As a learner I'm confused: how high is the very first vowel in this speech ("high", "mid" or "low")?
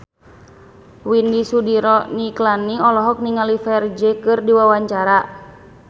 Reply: high